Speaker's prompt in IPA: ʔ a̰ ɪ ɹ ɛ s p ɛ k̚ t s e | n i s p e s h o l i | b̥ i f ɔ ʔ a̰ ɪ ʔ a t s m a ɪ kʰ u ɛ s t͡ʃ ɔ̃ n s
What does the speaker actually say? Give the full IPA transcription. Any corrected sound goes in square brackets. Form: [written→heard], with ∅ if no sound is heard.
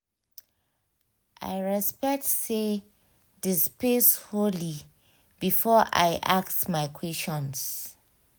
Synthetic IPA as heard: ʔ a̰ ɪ ɹ ɛ s p ɛ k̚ t s e | [n→d] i s p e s h o l i | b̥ i f ɔ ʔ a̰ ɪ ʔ a [t→k] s m a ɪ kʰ [u→w] ɛ s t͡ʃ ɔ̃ n s